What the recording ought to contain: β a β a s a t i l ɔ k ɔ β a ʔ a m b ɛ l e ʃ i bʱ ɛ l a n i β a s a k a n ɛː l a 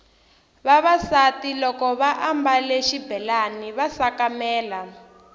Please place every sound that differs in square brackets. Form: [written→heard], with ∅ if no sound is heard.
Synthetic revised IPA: β a β a s a t i l ɔ k ɔ β a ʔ a m b [ɛ→a] l e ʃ i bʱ ɛ l a n i β a s a k a [n→m] ɛː l a